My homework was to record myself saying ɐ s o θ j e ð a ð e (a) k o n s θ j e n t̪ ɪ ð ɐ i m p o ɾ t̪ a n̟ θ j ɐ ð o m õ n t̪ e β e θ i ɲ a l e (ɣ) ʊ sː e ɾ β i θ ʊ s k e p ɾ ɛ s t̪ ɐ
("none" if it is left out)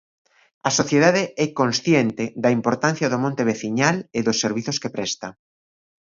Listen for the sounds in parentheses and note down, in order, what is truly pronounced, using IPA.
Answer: ɛ, ð

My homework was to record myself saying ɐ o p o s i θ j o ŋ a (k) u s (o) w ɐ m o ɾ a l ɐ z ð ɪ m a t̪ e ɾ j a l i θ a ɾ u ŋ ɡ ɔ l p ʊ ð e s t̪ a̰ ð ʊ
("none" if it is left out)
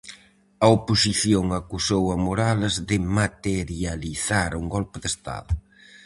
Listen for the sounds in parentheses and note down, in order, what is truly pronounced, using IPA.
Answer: k, o

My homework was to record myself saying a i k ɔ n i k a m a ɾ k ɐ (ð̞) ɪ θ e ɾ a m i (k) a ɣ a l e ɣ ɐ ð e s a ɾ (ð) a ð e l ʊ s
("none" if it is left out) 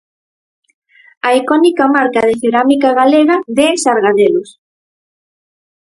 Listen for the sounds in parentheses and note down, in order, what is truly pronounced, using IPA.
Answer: ð̞, k, ɣ

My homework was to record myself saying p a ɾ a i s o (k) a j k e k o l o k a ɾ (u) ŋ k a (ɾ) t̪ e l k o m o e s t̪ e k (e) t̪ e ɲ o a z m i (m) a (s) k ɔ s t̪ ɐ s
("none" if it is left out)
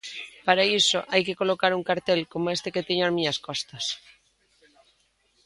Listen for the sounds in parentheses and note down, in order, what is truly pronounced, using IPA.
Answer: ʔ, u, ɾ, e, ɲ, s

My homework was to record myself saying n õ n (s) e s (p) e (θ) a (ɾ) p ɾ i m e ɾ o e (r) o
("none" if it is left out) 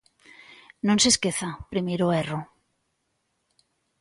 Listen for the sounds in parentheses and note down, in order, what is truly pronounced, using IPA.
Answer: s, k, θ, none, r

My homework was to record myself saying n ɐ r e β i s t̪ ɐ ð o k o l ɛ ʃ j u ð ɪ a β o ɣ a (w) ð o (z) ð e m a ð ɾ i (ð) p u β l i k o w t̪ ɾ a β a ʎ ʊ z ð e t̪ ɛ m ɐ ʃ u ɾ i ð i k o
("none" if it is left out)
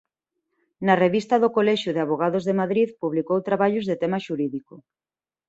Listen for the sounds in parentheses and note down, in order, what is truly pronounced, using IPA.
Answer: none, z, ð

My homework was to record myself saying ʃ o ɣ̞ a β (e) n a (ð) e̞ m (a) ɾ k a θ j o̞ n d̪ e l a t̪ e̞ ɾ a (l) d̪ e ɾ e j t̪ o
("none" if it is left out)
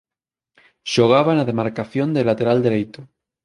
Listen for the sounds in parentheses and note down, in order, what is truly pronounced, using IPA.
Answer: a, ð, a, l

